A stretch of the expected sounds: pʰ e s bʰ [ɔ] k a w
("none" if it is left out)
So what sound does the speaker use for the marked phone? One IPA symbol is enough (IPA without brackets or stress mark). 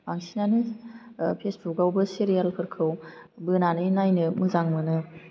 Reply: u